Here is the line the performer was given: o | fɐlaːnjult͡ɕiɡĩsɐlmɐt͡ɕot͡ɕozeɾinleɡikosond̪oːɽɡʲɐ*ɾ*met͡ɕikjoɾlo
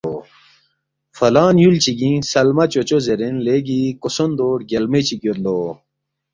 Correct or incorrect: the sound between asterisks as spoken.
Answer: incorrect: l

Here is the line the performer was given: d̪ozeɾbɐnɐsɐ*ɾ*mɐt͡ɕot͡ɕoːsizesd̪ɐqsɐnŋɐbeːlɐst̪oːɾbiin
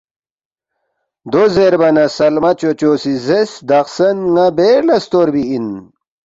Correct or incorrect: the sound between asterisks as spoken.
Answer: incorrect: l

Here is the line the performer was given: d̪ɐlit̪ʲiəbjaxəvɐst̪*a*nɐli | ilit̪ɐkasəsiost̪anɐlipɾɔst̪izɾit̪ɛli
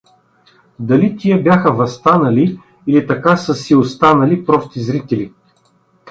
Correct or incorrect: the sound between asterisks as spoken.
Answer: correct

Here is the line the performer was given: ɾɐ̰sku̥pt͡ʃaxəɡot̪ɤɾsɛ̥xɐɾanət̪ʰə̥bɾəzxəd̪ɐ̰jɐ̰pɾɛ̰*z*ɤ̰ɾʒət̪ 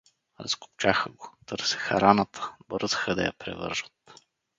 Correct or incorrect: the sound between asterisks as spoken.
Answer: incorrect: v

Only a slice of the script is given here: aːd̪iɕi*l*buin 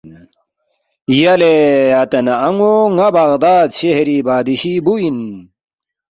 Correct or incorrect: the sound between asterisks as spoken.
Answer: incorrect: none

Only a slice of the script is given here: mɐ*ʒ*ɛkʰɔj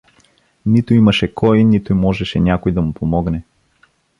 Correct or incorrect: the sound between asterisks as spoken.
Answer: incorrect: ʃ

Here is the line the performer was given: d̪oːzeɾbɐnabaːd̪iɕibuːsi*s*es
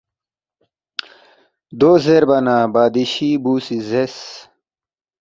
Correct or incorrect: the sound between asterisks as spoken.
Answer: incorrect: z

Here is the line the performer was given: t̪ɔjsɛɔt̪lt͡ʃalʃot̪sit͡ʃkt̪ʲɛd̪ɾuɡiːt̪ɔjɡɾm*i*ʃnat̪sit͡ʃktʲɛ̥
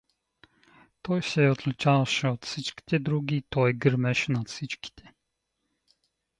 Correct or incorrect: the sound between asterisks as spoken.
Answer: incorrect: ɛ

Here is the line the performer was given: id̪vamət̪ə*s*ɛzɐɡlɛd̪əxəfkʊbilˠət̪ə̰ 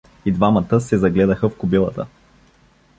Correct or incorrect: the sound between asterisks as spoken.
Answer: correct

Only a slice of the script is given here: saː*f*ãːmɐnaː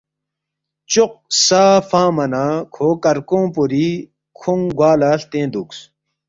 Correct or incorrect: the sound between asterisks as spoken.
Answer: correct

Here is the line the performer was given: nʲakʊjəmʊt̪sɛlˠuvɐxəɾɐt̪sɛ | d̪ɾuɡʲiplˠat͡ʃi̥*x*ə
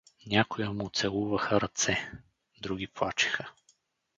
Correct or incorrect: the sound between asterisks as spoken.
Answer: correct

